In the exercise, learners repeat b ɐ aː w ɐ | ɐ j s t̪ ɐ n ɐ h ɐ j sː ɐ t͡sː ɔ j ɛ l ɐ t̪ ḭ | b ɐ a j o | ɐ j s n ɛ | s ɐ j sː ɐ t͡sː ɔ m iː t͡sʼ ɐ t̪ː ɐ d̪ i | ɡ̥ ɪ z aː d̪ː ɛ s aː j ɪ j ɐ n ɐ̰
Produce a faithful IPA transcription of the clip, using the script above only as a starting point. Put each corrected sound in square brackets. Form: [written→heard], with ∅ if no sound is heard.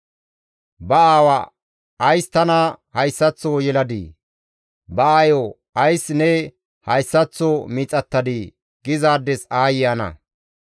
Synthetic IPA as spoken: b ɐ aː w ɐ | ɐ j s t̪ ɐ n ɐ h ɐ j sː ɐ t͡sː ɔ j ɛ l ɐ [t̪→d̪] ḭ | b ɐ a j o | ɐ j s n ɛ | [s→h] ɐ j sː ɐ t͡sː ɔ m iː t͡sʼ ɐ t̪ː ɐ d̪ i | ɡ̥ ɪ z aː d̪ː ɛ s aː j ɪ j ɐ n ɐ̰

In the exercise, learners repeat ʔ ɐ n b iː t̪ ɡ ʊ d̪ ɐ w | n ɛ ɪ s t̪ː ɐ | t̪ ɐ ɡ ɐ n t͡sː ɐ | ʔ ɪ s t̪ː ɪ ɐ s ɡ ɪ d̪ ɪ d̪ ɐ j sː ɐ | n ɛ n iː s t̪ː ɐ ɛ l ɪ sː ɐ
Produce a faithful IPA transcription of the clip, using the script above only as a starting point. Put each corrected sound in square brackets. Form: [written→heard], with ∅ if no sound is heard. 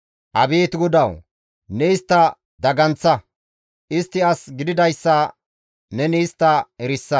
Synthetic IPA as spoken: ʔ ɐ [n→∅] b iː t̪ ɡ ʊ d̪ ɐ w | n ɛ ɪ s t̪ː ɐ | [t̪→d̪] ɐ ɡ ɐ n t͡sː ɐ | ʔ ɪ s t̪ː ɪ ɐ s ɡ ɪ d̪ ɪ d̪ ɐ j sː ɐ | n ɛ n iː s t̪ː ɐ ɛ [l→ɾ] ɪ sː ɐ

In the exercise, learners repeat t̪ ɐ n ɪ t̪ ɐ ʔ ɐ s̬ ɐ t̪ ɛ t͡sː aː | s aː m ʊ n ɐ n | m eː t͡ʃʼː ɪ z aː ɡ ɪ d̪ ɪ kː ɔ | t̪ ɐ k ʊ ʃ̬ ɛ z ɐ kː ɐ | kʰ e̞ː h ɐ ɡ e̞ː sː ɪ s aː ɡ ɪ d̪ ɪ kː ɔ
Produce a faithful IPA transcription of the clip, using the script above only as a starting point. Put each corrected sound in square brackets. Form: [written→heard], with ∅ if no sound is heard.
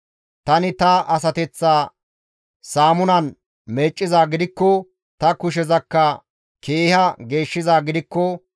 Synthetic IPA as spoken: t̪ ɐ n ɪ t̪ ɐ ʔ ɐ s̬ ɐ t̪ ɛ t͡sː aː | s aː m ʊ n ɐ n | m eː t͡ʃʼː ɪ z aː ɡ ɪ d̪ ɪ kː ɔ | t̪ ɐ k ʊ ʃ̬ ɛ z ɐ kː ɐ | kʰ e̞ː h ɐ ɡ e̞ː [sː→ʃː] ɪ [s→z] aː ɡ ɪ d̪ ɪ kː ɔ

